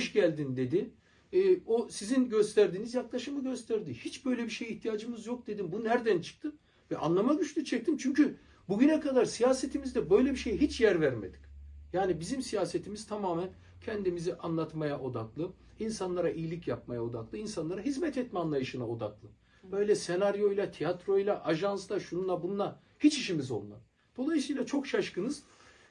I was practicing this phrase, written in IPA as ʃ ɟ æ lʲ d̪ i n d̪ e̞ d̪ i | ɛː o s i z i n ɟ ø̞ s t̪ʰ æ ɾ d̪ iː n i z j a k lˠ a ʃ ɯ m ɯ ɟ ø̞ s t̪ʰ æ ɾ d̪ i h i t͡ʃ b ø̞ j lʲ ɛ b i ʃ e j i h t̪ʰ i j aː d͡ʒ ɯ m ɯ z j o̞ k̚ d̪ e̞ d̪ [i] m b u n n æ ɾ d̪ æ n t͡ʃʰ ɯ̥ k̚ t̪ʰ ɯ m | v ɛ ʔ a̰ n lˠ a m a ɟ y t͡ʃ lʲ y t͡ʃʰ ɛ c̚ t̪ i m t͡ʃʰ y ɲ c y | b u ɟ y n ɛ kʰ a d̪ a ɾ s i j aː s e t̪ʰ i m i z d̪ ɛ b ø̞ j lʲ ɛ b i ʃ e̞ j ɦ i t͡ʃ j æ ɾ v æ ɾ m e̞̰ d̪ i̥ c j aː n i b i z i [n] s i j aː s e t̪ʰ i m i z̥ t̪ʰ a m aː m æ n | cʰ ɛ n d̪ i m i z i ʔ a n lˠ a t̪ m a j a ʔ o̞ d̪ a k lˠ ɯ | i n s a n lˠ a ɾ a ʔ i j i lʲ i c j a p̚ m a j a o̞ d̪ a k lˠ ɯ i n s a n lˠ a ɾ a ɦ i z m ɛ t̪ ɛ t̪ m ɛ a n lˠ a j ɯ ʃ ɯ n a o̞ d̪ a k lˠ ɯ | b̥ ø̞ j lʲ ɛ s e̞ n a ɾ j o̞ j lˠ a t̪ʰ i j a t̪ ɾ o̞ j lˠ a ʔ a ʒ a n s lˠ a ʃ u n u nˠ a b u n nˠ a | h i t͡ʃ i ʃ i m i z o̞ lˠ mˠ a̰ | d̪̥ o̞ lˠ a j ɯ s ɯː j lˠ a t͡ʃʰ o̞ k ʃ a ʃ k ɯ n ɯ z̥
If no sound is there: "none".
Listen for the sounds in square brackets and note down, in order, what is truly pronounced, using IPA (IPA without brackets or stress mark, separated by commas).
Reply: i, m